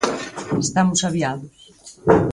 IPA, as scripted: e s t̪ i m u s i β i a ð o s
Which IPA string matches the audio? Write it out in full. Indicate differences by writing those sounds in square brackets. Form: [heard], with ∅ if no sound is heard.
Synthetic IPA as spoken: e s t̪ [a] m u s [a] β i a ð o s